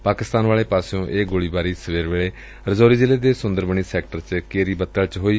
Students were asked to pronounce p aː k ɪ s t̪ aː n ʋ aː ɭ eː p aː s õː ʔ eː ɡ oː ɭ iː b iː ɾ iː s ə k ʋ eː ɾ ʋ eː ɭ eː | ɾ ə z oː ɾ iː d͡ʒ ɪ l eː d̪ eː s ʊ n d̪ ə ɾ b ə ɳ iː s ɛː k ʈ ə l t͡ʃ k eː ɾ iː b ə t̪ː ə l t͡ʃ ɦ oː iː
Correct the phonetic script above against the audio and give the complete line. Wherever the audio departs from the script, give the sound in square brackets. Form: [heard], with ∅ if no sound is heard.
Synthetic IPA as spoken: p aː k ɪ s t̪ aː n ʋ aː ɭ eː p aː s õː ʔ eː ɡ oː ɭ iː b [aː] ɾ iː s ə [∅] ʋ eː ɾ ʋ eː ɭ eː | ɾ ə z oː ɾ iː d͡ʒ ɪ l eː d̪ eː s ʊ n d̪ ə ɾ b ə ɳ iː s ɛː k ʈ ə [ɾ] t͡ʃ k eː ɾ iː b ə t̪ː ə l t͡ʃ ɦ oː iː